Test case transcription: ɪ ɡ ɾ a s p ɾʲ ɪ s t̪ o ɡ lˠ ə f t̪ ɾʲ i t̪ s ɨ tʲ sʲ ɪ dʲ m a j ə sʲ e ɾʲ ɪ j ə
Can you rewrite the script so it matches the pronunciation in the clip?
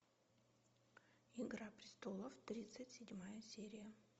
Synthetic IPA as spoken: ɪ ɡ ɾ a p ɾʲ ɪ s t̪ o lˠ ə f t̪ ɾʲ i t̪ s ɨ tʲ sʲ ɪ dʲ m a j ə sʲ e ɾʲ ɪ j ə